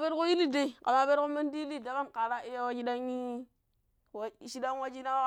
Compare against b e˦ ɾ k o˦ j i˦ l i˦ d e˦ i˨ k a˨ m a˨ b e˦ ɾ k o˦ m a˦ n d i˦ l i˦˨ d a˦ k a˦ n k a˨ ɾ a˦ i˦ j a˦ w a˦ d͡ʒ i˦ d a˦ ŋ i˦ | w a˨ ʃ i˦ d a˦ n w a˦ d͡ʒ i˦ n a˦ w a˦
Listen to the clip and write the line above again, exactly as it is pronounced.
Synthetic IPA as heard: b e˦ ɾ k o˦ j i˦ l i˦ d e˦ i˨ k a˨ m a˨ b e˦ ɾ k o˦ m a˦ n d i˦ l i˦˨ d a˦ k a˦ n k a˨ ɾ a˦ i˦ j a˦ w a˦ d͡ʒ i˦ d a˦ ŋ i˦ | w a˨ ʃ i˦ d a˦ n w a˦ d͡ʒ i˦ n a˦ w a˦